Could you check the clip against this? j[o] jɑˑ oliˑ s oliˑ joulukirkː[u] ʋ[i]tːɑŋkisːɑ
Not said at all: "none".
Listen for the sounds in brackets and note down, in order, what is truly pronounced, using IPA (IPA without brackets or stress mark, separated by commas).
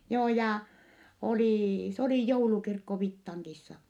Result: oː, o, i